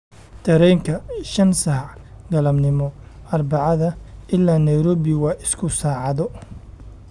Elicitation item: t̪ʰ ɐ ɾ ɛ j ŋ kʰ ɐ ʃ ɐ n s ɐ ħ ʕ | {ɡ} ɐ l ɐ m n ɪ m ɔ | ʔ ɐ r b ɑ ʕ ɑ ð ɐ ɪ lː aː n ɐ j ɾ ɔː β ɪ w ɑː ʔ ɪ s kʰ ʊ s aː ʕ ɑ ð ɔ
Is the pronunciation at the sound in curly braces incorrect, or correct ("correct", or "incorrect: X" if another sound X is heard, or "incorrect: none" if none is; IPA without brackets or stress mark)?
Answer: correct